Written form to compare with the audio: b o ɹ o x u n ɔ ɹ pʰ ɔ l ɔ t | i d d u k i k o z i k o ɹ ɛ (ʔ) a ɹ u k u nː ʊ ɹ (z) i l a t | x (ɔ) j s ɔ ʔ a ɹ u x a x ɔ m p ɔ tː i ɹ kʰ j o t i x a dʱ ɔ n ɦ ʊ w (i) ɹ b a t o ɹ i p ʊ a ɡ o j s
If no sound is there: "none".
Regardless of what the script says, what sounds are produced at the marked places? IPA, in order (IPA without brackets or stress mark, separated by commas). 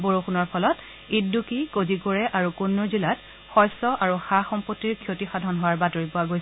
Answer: ʔ, z, ɔ, a